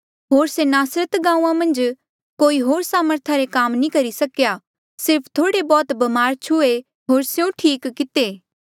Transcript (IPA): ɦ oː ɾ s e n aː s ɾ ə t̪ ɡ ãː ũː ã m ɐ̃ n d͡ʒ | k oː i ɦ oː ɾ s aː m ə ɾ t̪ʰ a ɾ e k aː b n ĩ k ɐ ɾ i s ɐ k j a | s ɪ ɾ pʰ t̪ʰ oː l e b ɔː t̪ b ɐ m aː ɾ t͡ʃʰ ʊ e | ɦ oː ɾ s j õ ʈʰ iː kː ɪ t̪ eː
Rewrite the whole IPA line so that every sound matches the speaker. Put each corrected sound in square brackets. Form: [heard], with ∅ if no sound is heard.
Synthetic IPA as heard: ɦ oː ɾ s e n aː s ɾ ə t̪ ɡ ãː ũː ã m ɐ̃ n d͡ʒ | k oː i ɦ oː ɾ s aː m ə ɾ t̪ʰ a ɾ e k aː [m] n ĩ k ɐ ɾ i s ɐ k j a | s ɪ ɾ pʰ t̪ʰ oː [ɽ] e b ɔː t̪ b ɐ m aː ɾ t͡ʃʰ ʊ e | ɦ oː ɾ s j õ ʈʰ iː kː ɪ t̪ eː